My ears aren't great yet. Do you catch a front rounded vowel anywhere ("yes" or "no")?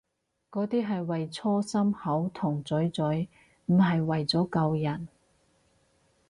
no